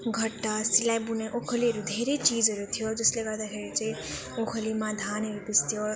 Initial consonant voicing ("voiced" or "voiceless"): voiced